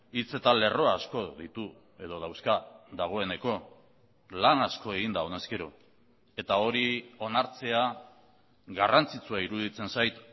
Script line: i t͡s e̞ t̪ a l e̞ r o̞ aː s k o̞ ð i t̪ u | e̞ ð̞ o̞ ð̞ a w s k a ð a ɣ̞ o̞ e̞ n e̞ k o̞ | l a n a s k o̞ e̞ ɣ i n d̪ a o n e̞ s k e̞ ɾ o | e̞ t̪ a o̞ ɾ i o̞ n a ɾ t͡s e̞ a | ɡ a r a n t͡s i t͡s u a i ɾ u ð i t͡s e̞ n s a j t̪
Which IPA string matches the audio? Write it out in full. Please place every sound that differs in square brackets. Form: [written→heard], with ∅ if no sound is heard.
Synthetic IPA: i t͡s e̞ t̪ a l e̞ r o̞ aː s k o̞ ð i t̪ u | e̞ ð̞ o̞ ð̞ a w s k a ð a ɣ̞ o̞ e̞ n e̞ k o̞ | l a n a s k o̞ e̞ ɣ i n d̪ a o n e̞ s k e̞ ɾ o | e̞ t̪ a o̞ ɾ i o̞ n a ɾ t͡s e̞ a | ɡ a r a n t͡s i t͡s u a i ɾ u ð i t͡s e̞ n s a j t̪